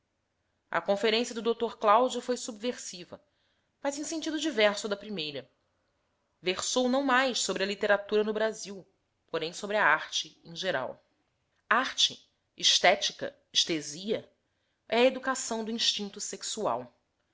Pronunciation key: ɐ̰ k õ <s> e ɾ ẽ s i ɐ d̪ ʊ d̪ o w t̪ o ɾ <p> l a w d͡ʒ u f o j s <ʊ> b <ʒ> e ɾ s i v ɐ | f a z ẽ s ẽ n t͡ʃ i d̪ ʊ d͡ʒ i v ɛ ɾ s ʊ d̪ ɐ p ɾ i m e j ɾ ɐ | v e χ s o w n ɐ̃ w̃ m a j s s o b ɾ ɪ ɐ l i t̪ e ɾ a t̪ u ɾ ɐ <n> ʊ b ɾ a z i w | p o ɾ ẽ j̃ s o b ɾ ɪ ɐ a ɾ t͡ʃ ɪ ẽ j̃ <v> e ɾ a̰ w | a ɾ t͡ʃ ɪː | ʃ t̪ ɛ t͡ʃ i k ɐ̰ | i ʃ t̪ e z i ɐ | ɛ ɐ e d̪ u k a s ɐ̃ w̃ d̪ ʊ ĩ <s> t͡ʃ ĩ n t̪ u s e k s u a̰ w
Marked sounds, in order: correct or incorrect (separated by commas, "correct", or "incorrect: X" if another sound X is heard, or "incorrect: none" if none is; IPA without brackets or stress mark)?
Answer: incorrect: f, incorrect: k, incorrect: u, incorrect: v, correct, incorrect: ʒ, incorrect: ʃ